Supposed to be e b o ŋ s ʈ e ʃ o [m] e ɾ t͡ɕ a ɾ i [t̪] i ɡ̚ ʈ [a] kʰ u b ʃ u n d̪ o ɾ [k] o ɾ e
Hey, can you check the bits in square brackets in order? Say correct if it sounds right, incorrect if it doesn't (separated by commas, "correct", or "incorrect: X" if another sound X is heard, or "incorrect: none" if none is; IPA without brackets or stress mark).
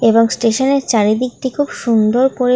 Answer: incorrect: n, incorrect: d̪, incorrect: i, incorrect: p